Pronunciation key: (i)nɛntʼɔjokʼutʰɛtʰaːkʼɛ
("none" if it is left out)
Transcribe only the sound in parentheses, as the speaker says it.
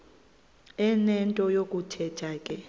ɛ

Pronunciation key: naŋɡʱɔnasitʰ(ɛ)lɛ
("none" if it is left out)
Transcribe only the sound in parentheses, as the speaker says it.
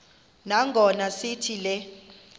i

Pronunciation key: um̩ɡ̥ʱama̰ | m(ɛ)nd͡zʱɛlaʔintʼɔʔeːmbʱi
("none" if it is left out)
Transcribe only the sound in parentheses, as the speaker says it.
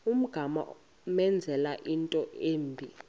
ɛ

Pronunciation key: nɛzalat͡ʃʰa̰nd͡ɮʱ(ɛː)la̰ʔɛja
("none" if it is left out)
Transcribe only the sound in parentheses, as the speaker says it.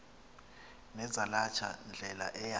ɛ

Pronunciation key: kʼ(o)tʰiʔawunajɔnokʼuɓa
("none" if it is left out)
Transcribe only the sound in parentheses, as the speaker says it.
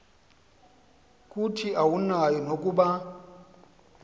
u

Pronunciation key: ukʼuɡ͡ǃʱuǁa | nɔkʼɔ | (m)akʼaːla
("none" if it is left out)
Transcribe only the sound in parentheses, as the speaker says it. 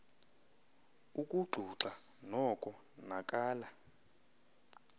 n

